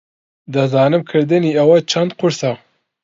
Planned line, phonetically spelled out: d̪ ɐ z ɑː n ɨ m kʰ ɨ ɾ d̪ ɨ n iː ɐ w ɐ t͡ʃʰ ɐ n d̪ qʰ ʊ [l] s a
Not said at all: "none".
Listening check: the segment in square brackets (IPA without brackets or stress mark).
ɾ